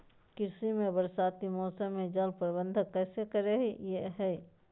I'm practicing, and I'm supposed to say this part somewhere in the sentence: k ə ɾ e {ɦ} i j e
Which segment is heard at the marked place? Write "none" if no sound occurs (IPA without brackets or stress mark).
ɦ